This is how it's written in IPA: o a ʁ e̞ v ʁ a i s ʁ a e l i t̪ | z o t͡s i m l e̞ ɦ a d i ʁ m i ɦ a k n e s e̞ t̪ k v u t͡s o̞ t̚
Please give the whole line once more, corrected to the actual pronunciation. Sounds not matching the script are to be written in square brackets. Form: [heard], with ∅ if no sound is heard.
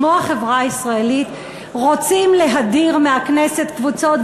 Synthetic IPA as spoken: o a [χ] e̞ v ʁ a i s ʁ a e l i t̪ | [ʁ] o t͡s i m l e̞ ɦ a d i ʁ m [e] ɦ a k n e s e̞ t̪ k v u t͡s o̞ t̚